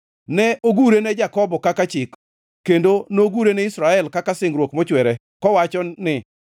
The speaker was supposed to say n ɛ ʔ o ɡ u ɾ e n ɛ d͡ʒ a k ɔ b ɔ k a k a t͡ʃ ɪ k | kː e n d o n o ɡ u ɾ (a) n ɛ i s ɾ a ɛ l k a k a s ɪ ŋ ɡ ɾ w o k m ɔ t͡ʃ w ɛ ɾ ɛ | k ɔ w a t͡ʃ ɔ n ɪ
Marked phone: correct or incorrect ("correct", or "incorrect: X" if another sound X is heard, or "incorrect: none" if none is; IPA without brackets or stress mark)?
incorrect: e